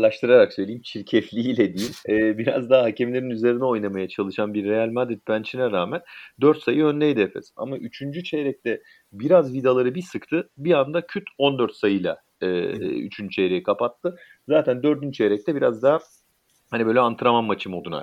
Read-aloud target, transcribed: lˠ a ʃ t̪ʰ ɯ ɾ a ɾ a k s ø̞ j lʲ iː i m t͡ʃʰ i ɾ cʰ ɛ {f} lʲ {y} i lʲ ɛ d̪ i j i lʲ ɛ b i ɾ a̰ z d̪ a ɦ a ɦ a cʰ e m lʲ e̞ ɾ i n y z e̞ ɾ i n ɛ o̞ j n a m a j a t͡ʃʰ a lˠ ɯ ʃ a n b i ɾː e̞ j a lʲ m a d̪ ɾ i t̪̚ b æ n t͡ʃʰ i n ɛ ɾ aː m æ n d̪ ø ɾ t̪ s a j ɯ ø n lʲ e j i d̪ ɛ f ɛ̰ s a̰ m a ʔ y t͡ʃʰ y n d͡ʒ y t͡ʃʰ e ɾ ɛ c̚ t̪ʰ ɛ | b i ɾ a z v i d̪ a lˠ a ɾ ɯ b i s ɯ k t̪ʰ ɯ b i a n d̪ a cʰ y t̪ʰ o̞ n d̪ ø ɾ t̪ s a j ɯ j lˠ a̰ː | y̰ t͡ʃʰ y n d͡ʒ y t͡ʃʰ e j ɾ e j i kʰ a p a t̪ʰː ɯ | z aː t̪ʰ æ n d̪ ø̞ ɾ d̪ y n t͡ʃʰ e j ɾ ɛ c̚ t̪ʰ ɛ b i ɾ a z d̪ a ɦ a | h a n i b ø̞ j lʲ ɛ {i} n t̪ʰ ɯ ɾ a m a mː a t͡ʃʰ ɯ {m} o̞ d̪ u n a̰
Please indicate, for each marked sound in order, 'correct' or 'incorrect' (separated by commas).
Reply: correct, incorrect, incorrect, correct